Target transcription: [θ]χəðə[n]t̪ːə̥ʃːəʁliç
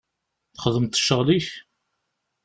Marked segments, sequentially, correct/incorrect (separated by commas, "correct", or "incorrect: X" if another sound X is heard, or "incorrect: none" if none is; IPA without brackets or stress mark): correct, incorrect: m